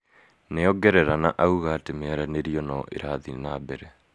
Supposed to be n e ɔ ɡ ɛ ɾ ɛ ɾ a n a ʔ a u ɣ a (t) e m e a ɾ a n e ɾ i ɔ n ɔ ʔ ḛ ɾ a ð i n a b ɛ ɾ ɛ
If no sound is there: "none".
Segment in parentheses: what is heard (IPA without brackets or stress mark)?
t